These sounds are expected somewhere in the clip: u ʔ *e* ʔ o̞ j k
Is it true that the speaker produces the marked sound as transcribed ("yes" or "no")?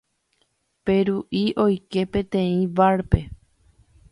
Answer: no